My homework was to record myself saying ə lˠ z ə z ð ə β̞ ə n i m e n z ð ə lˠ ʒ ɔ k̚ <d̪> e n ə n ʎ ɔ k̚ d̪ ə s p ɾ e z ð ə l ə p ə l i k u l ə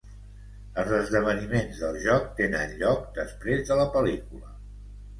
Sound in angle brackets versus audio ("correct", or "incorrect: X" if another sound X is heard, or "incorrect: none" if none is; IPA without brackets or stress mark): incorrect: t̪